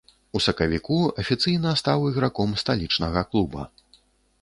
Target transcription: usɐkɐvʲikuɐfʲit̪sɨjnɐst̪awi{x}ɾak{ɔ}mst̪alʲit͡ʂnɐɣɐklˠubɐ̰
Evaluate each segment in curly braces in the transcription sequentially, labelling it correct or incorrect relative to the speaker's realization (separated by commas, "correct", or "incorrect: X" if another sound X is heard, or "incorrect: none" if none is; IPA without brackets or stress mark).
incorrect: ɣ, correct